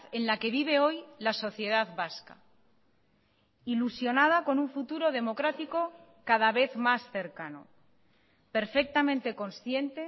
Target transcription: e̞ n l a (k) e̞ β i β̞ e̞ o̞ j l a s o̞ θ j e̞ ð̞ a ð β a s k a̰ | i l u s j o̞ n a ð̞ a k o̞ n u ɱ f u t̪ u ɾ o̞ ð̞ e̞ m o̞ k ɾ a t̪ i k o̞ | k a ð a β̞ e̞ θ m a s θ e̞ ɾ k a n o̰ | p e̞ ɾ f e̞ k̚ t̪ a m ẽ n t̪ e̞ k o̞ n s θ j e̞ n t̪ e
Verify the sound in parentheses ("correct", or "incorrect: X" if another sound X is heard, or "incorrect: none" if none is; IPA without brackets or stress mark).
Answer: correct